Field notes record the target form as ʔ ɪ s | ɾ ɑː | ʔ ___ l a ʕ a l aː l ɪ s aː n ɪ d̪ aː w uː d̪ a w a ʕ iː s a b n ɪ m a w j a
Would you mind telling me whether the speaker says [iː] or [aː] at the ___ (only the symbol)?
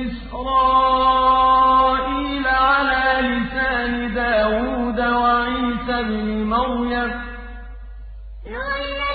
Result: iː